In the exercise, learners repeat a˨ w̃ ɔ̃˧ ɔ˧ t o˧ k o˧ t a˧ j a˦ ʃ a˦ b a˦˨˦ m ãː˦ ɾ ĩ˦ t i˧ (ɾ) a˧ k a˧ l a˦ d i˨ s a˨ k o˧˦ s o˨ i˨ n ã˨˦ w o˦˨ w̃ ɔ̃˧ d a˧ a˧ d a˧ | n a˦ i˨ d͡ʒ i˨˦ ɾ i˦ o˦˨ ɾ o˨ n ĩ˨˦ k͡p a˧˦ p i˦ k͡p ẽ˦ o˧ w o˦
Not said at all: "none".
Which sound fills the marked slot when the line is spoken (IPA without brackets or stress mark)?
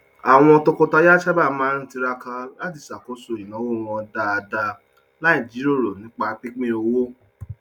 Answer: ɾ